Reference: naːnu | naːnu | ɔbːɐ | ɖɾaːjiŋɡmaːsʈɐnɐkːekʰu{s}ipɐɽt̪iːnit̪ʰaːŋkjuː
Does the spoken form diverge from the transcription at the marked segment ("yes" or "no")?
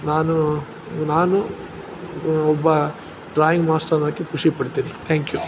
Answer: yes